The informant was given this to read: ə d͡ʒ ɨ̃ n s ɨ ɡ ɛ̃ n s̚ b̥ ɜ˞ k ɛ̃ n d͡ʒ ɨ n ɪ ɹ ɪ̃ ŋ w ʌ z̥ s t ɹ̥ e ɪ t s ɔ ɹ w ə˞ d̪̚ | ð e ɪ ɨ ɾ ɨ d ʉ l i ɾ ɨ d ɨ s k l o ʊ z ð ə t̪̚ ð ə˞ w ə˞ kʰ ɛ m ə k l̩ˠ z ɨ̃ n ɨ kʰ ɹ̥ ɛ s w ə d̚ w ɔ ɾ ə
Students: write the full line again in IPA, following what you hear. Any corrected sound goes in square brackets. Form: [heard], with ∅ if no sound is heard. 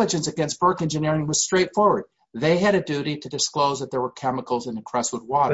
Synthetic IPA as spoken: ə d͡ʒ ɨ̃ n s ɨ ɡ ɛ̃ n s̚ b̥ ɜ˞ k ɛ̃ n d͡ʒ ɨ n ɪ ɹ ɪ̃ ŋ w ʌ z̥ s t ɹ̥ e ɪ t [f] ɔ ɹ w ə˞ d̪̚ | ð e ɪ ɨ ɾ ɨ d ʉ [ɾ] i ɾ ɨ d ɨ s k l o ʊ z ð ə t̪̚ ð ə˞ w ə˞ kʰ ɛ m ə k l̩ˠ z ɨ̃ n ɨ kʰ ɹ̥ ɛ s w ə d̚ w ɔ ɾ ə